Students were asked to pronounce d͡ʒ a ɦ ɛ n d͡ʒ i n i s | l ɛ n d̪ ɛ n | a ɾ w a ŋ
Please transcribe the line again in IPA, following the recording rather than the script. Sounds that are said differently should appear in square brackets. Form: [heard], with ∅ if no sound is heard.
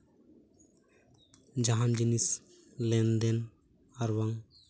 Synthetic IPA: d͡ʒ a ɦ [a] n d͡ʒ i n i s | l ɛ n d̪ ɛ n | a ɾ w a ŋ